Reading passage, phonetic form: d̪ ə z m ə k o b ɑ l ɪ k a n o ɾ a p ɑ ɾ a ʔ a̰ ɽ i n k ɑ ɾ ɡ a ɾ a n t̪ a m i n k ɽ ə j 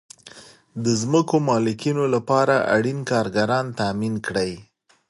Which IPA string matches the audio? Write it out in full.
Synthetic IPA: d̪ ə z m ə k o m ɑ l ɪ k i n o l a p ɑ ɾ a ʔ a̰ ɽ i n k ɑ ɾ ɡ a ɾ ɑ n t̪ a m i n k ɽ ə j